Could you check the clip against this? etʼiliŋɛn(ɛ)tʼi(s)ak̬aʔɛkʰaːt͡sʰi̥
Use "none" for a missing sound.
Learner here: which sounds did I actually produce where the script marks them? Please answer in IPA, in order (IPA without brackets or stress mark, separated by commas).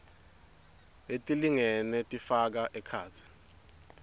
ɛ, f